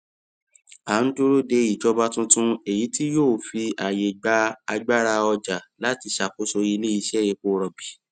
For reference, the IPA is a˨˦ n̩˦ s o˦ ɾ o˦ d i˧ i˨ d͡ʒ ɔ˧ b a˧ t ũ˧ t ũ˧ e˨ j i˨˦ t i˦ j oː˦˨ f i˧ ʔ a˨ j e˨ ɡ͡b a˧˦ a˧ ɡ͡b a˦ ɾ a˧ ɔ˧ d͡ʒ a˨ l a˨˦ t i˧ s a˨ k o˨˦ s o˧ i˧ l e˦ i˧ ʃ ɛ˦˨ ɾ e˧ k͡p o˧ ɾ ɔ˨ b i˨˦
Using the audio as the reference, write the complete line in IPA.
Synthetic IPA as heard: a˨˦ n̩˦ t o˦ ɾ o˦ d e˧ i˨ d͡ʒ ɔ˧ b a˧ t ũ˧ t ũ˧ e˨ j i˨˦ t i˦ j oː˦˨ f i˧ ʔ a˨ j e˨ ɡ͡b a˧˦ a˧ ɡ͡b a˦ ɾ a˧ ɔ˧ d͡ʒ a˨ l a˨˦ t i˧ ʃ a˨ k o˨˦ s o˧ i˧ l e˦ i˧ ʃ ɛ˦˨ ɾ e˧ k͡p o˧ ɾ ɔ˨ b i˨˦